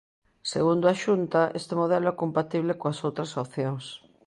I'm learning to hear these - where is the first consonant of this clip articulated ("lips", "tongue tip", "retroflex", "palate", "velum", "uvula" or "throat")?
tongue tip